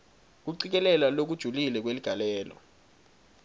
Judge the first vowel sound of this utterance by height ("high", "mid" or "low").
high